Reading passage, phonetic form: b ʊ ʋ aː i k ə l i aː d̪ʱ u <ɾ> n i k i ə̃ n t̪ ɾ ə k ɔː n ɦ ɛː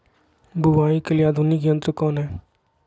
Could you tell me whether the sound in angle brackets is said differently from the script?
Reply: yes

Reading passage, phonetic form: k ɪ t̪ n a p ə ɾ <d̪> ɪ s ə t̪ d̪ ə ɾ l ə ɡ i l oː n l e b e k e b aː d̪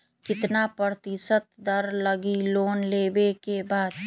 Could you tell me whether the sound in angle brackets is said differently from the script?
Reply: yes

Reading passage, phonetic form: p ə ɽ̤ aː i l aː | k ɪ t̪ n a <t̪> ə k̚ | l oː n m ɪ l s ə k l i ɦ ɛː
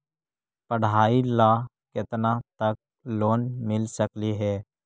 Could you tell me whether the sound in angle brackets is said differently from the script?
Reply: no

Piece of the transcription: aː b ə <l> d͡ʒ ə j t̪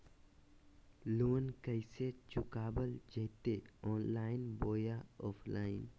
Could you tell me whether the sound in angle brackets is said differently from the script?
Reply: no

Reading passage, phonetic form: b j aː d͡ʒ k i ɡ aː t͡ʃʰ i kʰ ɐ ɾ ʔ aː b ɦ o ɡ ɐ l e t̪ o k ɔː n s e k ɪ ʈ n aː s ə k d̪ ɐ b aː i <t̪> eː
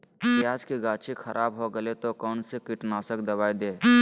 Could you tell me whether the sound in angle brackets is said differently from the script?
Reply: yes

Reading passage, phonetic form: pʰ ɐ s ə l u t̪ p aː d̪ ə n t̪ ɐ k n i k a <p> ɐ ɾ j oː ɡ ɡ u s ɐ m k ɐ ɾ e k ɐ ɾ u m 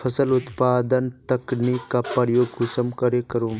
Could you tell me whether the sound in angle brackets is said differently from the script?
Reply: no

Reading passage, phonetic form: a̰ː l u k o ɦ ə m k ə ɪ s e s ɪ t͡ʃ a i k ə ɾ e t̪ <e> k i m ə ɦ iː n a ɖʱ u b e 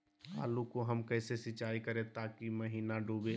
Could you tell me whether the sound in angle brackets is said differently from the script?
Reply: yes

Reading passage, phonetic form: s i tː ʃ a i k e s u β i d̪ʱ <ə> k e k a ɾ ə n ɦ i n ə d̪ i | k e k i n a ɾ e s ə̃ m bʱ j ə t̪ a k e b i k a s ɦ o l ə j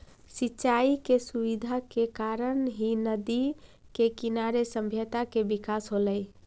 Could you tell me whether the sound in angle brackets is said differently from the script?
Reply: yes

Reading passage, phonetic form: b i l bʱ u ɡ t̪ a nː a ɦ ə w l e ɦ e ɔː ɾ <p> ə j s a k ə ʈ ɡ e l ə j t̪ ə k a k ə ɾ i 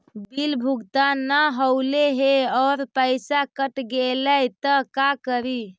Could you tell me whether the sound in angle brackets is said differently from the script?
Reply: no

